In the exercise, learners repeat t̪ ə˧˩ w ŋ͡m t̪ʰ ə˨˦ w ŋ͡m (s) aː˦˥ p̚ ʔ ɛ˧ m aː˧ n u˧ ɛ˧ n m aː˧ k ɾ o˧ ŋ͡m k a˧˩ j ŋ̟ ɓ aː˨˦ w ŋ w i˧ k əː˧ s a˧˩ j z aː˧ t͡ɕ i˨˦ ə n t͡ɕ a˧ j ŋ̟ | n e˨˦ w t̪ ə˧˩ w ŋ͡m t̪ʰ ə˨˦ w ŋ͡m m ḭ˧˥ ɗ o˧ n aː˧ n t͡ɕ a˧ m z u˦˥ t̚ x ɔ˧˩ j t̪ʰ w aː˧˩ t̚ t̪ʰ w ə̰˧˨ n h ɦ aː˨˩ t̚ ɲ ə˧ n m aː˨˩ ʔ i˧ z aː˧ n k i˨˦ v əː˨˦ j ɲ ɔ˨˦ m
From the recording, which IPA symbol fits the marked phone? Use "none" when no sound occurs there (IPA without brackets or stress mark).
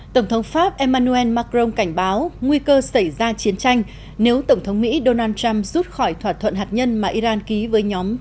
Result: f